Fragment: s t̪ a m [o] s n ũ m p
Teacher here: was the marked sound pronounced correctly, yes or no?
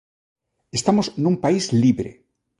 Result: yes